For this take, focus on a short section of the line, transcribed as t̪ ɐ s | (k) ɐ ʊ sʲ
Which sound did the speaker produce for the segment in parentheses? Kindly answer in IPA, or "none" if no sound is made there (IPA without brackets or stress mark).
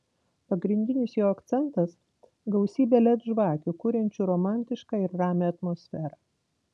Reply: ɡ